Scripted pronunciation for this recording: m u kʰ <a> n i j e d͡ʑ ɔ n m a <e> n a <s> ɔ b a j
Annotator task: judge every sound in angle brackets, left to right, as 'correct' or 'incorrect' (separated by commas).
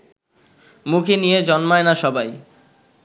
incorrect, correct, incorrect